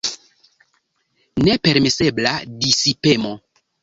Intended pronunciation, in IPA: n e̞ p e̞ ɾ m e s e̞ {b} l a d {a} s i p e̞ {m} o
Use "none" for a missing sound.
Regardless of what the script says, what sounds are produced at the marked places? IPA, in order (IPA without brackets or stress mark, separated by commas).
b, i, m